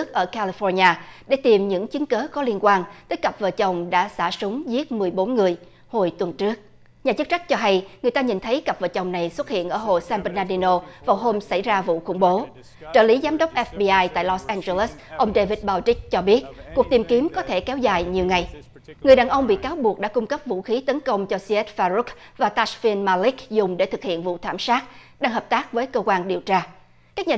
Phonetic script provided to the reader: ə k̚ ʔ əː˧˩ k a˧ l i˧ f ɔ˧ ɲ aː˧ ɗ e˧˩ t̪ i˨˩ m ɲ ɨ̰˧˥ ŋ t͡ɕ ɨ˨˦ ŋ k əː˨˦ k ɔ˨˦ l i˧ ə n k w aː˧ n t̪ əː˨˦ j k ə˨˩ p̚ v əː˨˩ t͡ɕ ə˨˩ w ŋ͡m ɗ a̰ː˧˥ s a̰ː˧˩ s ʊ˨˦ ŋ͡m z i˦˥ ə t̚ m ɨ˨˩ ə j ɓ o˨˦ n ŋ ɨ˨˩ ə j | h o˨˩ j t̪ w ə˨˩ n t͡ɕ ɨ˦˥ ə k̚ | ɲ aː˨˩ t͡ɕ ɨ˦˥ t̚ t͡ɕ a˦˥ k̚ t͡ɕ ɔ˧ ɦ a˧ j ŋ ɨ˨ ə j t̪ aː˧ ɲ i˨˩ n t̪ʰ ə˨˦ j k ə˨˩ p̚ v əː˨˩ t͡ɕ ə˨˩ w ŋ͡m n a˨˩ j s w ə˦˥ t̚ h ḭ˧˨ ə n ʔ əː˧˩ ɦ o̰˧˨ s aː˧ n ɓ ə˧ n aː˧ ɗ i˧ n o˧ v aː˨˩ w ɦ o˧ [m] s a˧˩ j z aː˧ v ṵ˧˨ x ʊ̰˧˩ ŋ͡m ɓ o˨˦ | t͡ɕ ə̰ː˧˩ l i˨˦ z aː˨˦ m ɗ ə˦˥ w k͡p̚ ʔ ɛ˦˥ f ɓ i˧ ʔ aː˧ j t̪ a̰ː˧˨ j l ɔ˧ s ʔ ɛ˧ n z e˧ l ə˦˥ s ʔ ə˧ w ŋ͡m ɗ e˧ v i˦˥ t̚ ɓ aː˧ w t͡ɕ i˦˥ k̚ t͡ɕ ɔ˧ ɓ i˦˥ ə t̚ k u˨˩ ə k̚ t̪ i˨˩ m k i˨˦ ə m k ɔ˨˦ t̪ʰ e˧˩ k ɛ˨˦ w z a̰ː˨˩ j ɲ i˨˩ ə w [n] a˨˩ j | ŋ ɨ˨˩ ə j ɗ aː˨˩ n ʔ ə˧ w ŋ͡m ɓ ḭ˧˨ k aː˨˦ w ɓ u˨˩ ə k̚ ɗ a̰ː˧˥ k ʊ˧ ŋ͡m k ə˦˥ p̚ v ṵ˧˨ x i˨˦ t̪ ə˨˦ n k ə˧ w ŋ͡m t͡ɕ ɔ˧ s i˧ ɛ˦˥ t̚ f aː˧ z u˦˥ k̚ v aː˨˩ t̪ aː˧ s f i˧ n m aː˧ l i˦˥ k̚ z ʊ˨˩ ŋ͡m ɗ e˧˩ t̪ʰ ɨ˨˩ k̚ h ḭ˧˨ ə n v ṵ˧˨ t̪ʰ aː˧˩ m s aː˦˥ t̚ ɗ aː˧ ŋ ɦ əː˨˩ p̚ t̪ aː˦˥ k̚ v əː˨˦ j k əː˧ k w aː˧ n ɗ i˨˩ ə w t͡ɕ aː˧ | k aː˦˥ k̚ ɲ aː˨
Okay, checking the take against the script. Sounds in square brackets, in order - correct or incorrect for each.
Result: correct, incorrect

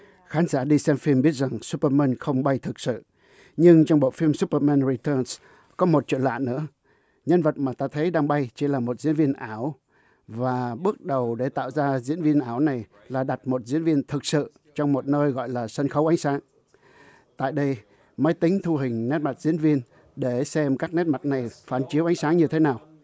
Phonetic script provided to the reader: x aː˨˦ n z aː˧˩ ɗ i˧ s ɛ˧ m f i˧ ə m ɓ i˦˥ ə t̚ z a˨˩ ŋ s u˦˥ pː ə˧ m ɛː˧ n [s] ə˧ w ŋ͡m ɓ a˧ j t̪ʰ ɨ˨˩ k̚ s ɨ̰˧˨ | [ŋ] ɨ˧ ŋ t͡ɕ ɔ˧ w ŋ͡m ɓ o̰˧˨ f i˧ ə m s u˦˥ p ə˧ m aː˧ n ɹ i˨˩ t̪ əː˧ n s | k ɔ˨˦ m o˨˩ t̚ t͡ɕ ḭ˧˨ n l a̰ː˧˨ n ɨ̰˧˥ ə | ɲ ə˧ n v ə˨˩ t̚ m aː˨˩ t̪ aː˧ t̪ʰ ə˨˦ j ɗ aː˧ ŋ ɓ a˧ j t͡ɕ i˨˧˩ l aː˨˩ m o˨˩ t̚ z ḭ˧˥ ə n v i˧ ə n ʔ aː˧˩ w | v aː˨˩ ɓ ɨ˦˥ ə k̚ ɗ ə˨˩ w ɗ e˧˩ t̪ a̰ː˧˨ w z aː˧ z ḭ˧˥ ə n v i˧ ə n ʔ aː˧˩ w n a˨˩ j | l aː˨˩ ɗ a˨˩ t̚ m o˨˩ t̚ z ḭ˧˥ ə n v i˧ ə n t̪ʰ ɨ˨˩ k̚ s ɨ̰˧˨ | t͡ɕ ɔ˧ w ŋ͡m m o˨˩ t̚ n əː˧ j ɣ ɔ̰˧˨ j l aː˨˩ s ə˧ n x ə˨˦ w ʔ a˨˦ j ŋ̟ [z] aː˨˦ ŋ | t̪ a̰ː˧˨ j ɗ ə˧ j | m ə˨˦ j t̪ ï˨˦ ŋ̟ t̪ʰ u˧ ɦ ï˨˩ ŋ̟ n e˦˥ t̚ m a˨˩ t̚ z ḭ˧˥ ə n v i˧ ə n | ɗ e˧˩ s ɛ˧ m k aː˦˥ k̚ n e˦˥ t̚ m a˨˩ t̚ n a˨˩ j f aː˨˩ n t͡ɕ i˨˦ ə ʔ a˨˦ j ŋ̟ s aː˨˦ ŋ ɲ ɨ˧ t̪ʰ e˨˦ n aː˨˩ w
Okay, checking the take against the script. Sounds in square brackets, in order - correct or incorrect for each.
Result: incorrect, incorrect, incorrect

